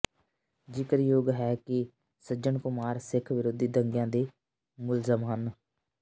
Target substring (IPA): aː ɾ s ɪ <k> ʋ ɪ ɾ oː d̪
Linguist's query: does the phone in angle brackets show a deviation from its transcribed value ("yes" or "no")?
yes